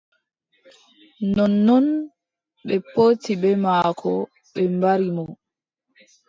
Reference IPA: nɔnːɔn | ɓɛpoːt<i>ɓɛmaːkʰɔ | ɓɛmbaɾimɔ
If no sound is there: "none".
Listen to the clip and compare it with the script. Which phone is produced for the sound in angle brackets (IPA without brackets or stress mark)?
i